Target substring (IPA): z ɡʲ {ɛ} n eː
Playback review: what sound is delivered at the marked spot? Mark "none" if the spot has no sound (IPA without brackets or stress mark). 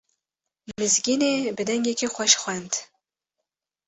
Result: i